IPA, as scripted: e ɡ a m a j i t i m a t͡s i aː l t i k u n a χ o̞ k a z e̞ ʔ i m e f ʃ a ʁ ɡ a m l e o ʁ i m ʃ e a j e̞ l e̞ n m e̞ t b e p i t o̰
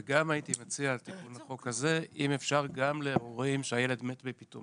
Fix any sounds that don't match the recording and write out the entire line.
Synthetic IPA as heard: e ɡ a m a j i t i m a t͡s i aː l t i k u n a χ o̞ k a z e̞ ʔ i m e f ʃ a ʁ ɡ a m l e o ʁ i m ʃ e a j e̞ l e̞ d m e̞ t b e p i t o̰